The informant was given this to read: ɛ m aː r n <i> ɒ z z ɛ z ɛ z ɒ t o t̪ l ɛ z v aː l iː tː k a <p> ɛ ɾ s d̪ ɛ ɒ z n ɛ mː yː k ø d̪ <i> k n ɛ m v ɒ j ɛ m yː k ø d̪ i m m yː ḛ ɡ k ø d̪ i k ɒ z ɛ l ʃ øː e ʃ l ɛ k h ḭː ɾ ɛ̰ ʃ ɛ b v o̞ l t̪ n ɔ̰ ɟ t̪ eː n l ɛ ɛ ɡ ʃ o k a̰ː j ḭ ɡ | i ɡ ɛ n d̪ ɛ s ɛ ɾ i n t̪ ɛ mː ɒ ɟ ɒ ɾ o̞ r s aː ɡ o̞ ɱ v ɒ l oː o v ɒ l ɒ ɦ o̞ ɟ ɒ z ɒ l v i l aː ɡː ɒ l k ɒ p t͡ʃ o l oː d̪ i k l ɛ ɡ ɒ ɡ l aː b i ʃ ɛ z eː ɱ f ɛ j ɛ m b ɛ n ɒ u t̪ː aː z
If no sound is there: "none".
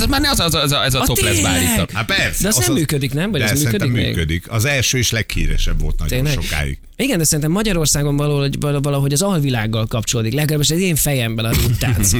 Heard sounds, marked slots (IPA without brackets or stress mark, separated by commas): ɛ, p, i